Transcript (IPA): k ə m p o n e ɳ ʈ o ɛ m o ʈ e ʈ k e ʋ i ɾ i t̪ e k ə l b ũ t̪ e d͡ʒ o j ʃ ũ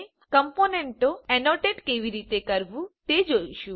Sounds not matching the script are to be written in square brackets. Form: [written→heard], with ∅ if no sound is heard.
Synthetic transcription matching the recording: k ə m p o n e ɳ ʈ o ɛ [m→n] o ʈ e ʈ k e ʋ i ɾ i t̪ e k ə [l→ɾ] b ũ t̪ e d͡ʒ o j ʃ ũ